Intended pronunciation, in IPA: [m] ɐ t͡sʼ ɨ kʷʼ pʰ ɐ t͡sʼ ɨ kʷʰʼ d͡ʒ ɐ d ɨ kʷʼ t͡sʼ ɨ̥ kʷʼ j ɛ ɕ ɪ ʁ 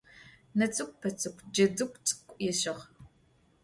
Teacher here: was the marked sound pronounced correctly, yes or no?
no